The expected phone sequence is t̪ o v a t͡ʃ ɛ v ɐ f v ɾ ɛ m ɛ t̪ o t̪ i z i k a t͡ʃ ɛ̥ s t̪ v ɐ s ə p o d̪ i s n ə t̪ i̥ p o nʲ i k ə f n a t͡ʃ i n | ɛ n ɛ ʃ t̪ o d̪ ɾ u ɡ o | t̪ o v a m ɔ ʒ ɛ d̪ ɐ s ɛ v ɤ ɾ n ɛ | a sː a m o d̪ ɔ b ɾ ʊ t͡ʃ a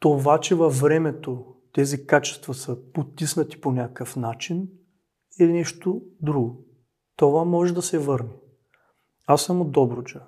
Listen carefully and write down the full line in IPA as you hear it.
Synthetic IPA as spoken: t̪ o v a t͡ʃ ɛ v ɐ f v ɾ ɛ m ɛ t̪ o t̪ ɛ z i k a t͡ʃ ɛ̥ s t̪ v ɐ s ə p o t̪ i s n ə t̪ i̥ p o nʲ a k ə f n a t͡ʃ i n | ɛ n ɛ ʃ t̪ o d̪ ɾ u ɡ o | t̪ o v a m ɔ ʒ ɛ d̪ ɐ s ɛ v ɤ ɾ n ɛ | a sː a m o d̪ ɔ b ɾ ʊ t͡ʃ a